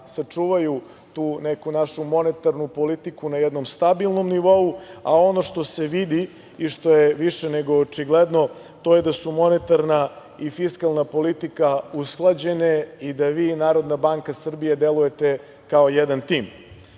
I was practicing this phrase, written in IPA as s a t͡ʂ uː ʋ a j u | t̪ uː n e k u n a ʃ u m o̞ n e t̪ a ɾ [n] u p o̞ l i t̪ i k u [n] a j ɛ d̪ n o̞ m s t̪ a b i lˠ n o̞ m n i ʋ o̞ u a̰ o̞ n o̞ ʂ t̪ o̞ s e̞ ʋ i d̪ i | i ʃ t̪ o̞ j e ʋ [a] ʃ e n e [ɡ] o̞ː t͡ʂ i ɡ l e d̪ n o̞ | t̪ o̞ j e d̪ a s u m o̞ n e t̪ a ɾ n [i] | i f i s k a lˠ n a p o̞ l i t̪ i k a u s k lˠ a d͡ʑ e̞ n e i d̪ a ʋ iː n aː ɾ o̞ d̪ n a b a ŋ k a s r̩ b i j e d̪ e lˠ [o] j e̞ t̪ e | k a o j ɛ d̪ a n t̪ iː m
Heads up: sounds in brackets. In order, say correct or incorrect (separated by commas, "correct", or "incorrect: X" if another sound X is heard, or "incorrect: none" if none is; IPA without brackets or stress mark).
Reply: correct, correct, incorrect: i, correct, incorrect: a, incorrect: u